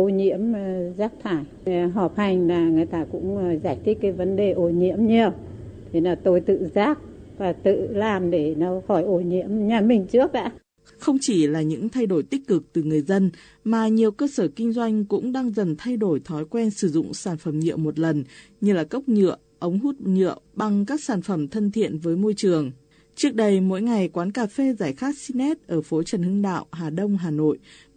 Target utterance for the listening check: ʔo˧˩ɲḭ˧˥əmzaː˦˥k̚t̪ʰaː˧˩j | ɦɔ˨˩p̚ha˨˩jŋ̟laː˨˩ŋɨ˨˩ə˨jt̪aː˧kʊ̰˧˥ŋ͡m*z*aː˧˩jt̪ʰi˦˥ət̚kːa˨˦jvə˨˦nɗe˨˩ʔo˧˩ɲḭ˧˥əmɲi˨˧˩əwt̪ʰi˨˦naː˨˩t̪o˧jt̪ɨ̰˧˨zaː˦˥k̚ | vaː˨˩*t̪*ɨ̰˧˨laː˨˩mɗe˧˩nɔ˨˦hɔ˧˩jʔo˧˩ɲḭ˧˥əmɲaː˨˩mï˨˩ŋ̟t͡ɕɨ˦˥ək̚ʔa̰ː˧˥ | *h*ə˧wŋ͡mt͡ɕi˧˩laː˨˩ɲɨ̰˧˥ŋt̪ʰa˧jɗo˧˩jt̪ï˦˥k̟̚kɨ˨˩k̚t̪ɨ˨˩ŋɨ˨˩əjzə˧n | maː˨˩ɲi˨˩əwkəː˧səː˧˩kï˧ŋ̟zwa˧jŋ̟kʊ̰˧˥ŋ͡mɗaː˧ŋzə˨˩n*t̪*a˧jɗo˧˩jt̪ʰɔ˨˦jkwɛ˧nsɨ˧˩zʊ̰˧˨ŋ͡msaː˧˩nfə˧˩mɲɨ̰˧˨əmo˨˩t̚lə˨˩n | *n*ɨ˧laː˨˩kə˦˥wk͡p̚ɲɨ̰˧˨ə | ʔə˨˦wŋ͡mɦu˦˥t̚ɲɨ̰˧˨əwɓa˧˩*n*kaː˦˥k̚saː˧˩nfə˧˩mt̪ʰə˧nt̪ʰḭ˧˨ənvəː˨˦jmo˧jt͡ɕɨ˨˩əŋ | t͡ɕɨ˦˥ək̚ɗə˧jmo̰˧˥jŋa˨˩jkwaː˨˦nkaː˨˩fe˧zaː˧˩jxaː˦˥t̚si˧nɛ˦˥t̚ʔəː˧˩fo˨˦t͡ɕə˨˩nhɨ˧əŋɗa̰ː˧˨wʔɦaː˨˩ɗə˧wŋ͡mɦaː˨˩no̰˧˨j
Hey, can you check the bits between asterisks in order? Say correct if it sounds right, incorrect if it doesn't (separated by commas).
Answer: correct, correct, incorrect, incorrect, incorrect, incorrect